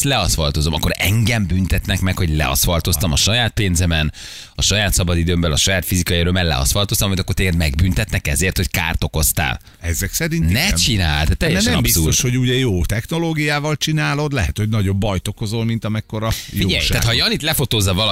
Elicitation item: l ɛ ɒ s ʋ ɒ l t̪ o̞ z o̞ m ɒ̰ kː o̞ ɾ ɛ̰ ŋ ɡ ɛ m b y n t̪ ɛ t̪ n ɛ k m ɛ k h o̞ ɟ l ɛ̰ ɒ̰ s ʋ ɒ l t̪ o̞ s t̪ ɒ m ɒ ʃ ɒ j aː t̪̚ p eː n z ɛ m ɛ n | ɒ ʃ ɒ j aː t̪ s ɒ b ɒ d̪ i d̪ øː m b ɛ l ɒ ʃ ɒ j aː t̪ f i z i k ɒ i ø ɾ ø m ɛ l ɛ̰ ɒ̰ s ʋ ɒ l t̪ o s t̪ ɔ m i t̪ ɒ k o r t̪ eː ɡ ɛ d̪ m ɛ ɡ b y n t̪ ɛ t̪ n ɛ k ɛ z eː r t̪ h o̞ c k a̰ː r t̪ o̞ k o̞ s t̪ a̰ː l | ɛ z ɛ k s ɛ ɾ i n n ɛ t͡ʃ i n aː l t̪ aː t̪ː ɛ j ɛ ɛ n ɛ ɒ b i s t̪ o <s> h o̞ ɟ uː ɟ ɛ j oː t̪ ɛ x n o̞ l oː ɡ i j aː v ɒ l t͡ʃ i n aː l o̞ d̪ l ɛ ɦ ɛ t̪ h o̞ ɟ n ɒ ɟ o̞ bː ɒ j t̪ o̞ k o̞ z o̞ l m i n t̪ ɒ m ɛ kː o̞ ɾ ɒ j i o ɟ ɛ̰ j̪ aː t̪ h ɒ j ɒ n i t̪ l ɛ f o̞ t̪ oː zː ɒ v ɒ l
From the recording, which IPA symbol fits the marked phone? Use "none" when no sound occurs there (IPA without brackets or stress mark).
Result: ʃ